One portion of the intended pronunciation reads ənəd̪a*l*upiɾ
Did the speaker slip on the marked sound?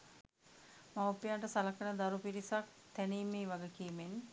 yes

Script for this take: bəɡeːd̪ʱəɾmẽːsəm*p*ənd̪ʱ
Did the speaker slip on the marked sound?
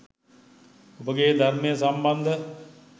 yes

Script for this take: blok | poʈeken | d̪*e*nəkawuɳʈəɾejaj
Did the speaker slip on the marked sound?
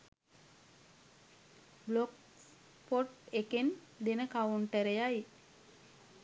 no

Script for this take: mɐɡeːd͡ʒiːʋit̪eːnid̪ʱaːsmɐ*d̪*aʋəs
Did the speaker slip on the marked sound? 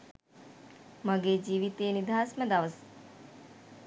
no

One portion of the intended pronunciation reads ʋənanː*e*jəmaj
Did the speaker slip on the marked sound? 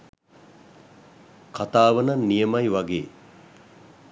yes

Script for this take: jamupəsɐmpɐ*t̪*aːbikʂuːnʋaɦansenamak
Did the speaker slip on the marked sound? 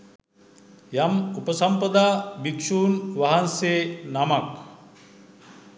yes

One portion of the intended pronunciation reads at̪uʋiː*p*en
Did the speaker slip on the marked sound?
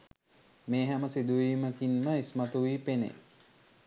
no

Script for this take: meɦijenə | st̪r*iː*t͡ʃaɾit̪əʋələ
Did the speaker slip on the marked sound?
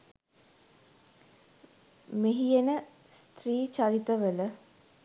no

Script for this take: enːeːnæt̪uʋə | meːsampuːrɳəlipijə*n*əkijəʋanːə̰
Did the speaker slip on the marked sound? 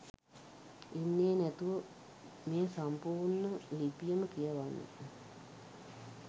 yes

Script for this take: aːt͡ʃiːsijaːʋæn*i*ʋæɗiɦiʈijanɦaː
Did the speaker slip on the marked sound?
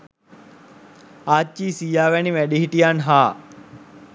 no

